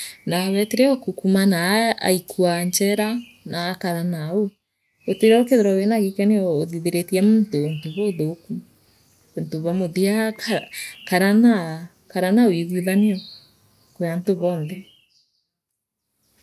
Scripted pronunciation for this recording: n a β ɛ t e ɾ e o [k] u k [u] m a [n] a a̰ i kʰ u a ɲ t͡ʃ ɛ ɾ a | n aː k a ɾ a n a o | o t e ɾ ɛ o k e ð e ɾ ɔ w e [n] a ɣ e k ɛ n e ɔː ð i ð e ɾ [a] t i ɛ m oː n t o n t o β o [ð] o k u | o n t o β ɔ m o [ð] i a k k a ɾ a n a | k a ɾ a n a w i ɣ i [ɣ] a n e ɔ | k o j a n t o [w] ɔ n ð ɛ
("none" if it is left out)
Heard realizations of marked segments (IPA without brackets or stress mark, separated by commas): k, u, n, n, e, ð, ð, ð, β